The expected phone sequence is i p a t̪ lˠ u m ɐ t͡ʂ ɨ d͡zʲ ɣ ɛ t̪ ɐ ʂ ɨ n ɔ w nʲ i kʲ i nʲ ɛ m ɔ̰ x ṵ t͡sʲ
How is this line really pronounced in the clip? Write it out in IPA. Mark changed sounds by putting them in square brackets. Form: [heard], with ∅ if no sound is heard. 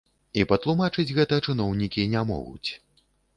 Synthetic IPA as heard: i p [ɐ] t̪ lˠ u m [a] t͡ʂ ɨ d͡zʲ ɣ ɛ t̪ ɐ [t͡ʂ] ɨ n ɔ w nʲ i kʲ i nʲ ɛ m ɔ̰ [ɣ] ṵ t͡sʲ